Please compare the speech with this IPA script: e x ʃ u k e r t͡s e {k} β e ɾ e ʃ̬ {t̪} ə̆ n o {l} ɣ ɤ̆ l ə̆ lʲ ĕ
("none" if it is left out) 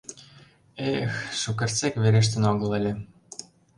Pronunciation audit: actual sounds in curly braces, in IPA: k, t̪, none

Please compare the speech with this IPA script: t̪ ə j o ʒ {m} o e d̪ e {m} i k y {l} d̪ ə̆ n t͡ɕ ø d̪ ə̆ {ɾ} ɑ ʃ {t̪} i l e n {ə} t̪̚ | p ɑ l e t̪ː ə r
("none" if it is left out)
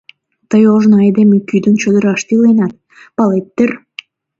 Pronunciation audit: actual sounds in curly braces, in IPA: n, m, none, ɾ, t̪, ɑ

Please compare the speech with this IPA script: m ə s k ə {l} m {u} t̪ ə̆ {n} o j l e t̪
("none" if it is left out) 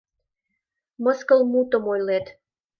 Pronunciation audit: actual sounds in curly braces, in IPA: l, u, m

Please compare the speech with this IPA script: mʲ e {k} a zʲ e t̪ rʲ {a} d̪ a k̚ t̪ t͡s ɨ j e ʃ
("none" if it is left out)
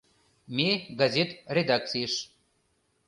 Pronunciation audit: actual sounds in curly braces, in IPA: ɡ, e

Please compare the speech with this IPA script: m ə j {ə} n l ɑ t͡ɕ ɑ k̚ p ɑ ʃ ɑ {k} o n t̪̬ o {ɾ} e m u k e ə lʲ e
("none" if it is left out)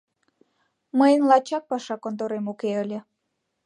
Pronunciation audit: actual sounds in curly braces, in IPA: ə, k, ɾ

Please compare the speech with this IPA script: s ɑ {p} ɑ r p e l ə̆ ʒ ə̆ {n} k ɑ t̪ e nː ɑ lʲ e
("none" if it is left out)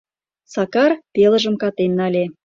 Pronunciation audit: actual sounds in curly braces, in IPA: k, m

